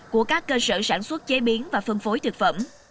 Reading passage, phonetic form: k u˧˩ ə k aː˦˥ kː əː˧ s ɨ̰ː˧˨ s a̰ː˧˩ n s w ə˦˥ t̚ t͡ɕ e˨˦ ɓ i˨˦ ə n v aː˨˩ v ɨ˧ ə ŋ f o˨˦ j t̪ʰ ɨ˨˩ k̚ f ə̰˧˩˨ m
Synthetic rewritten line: k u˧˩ ə k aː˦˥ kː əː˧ s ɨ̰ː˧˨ s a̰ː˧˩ n s w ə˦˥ t̚ t͡ɕ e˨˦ ɓ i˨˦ ə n v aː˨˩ f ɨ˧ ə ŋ f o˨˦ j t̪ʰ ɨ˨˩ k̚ f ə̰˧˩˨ m